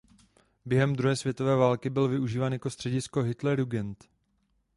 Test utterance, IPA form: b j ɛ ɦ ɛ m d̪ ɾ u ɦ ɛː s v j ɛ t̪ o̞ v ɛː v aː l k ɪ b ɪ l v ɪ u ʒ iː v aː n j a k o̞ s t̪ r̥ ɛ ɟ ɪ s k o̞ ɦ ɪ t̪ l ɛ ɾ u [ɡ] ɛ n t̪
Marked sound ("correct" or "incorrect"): correct